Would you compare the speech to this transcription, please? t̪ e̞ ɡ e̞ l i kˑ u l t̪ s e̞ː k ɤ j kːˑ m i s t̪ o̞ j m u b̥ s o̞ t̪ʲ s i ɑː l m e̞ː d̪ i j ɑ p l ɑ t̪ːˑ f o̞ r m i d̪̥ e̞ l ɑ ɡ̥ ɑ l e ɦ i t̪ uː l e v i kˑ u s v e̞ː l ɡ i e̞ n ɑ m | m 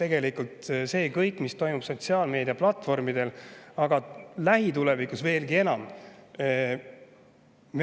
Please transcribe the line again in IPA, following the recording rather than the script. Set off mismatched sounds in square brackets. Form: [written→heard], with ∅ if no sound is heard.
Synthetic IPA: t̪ e̞ ɡ e̞ l i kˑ u l t̪ s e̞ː k ɤ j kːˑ m i s t̪ o̞ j m u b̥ s o̞ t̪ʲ s i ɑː l m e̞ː d̪ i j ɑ p l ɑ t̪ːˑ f o̞ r m i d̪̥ e̞ l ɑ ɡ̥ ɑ l [e→æ] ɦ i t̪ [uː→u] l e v i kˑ u s v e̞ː l ɡ i e̞ n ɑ m | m

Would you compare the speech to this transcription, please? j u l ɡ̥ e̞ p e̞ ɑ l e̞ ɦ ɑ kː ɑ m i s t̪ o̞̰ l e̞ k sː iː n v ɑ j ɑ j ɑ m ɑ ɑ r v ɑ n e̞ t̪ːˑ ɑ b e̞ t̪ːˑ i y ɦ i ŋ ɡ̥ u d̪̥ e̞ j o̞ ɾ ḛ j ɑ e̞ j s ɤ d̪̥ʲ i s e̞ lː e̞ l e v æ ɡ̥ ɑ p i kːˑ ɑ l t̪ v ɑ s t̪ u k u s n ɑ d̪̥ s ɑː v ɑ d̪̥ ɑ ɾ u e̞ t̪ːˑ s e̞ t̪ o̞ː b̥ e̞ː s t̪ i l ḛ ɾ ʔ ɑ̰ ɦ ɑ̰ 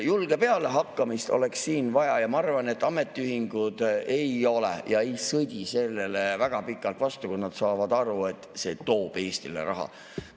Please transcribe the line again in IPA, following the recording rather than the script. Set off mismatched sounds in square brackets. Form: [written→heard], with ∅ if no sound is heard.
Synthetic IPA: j u l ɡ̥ e̞ p e̞ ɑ l e̞ ɦ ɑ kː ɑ m i s t̪ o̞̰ l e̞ k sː iː n v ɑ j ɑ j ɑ m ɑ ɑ r v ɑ n e̞ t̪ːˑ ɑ [b→m] e̞ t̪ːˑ i y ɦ i ŋ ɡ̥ u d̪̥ e̞ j o̞ [ɾ→l] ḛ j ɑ e̞ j s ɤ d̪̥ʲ i s e̞ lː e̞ l e v æ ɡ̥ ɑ p i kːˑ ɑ l t̪ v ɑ s t̪ u k u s n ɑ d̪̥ s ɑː v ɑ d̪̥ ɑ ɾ u e̞ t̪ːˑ s e̞ t̪ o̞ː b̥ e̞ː s t̪ i l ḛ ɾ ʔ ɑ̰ ɦ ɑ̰

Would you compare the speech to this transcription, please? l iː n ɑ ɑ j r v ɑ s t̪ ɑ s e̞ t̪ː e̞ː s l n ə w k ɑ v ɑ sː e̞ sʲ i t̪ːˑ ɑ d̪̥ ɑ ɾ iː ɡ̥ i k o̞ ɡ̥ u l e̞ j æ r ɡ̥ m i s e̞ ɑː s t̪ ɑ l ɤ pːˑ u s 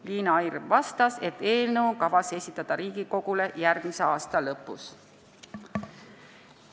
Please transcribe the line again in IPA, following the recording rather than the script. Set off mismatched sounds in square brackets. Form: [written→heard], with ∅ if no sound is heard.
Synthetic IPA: l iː n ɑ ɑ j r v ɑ s t̪ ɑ s e̞ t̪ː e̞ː [s→∅] l n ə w k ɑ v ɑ [sː→s] e̞ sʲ i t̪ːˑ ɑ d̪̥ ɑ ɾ iː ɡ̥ i k o̞ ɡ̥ u l e̞ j æ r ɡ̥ m i s e̞ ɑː s t̪ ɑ l ɤ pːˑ u s

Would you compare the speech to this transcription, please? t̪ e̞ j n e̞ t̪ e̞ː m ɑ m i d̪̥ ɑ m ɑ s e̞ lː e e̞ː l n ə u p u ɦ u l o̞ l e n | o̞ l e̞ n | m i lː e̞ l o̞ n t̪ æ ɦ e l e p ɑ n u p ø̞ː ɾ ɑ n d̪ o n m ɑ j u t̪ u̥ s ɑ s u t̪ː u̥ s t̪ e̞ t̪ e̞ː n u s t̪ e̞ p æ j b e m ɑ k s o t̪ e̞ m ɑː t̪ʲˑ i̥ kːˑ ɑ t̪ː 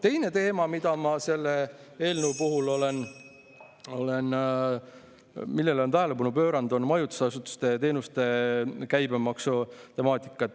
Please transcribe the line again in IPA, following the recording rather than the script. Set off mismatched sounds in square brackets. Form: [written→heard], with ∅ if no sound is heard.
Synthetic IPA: t̪ e̞ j n e̞ t̪ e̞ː m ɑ m i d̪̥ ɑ m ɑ s e̞ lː e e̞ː l n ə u p u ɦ u l o̞ l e n | o̞ l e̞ n | m i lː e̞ l o̞ n t̪ æ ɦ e l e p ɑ n u p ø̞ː ɾ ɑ n d̪ o n m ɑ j u t̪ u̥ s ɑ s u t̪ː u̥ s t̪ e̞ t̪ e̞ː n u s t̪ e̞ [p→k] æ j b e m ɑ k s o t̪ e̞ m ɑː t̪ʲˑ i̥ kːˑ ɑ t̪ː

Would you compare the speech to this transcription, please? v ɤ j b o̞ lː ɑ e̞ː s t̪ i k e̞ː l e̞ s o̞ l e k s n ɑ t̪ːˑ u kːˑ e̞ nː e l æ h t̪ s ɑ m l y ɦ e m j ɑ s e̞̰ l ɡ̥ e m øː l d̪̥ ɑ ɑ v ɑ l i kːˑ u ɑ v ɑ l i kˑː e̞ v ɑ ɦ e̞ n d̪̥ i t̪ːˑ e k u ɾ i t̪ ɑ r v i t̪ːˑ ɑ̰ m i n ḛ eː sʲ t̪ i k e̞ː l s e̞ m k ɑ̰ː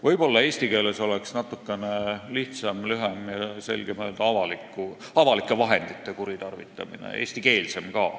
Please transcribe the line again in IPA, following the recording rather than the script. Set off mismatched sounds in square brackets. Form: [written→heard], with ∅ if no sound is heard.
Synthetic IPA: v ɤ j b o̞ lː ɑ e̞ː s t̪ i k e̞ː l e̞ s o̞ l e k s n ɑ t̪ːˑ u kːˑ e̞ [nː→n] e l [æ→i] h t̪ s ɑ m l y ɦ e m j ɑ s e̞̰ l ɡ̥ e m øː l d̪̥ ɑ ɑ v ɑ l i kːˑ u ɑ v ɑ l i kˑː e̞ v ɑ ɦ e̞ n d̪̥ i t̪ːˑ e k u ɾ i t̪ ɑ r v i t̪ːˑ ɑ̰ m i n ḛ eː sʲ t̪ i k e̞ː l s e̞ m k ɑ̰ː

